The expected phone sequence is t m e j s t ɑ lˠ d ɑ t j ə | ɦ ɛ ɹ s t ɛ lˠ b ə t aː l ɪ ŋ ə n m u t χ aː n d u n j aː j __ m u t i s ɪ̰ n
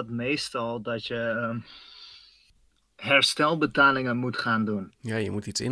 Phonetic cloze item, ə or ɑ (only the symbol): ə